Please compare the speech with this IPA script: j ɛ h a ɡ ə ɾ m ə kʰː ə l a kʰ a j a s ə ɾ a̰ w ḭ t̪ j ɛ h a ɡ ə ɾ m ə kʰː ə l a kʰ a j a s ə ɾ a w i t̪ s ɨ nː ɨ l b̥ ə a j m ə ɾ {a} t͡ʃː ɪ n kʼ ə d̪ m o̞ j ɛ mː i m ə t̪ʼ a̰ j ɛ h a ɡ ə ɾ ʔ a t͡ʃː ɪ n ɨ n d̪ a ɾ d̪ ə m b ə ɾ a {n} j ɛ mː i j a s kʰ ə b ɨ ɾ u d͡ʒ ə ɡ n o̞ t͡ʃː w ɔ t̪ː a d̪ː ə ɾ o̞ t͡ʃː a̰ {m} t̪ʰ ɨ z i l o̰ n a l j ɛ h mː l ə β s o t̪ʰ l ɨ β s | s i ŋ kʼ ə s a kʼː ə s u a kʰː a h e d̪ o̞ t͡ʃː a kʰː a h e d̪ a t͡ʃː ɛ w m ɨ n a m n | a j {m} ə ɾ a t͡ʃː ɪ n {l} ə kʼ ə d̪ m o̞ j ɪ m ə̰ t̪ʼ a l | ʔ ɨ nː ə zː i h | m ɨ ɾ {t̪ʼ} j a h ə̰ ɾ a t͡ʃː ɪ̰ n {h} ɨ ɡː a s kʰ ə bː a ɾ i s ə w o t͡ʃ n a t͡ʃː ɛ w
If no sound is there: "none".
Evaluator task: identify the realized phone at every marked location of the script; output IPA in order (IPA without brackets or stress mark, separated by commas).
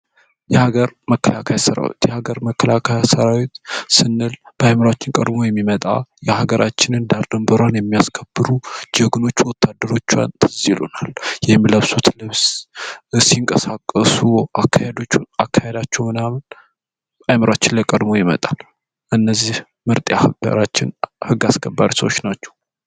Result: a, n, n, m, l, t̪ʼ, h